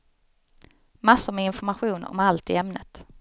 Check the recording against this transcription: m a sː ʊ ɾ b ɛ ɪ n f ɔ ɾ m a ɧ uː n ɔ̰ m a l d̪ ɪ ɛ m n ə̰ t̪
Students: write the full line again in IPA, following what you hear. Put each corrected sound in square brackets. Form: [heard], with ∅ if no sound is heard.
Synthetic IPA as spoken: m a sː ʊ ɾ [m] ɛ ɪ n f ɔ ɾ m a ɧ uː n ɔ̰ m a l [t̪] ɪ ɛ m n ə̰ t̪